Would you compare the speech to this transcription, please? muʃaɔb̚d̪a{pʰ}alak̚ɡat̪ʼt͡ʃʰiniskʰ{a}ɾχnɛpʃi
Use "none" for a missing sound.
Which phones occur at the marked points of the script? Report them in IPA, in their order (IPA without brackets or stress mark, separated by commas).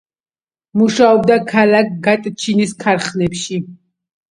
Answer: kʰ, a